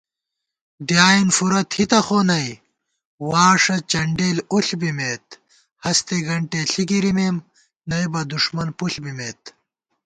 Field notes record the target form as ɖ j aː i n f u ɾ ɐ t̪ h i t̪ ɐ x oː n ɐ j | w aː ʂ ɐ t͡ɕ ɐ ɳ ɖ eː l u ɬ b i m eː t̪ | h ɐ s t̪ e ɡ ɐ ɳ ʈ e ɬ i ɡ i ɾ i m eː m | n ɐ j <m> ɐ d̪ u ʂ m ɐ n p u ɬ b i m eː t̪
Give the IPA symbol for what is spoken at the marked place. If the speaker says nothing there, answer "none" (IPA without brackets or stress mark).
b